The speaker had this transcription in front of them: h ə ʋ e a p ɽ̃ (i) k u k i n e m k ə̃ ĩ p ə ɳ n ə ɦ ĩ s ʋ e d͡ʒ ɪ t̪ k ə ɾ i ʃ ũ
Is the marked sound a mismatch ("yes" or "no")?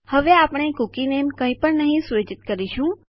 yes